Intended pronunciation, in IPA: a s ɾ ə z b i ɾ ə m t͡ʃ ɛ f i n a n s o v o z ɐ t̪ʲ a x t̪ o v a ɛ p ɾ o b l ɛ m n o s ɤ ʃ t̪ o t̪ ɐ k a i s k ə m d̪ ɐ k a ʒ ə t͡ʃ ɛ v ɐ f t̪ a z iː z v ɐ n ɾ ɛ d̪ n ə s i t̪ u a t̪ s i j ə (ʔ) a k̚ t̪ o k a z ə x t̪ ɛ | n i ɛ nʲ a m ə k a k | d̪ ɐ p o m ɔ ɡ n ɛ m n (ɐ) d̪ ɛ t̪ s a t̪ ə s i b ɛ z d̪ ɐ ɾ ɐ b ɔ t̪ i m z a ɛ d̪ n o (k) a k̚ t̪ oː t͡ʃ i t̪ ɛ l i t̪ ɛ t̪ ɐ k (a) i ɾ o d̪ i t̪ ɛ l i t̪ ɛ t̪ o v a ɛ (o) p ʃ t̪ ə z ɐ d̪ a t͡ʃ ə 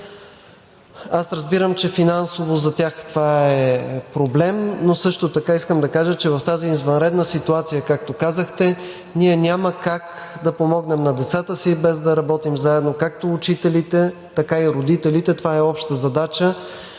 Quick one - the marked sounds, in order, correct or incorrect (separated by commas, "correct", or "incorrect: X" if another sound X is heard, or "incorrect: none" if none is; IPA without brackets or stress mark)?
incorrect: k, correct, correct, correct, incorrect: ɔ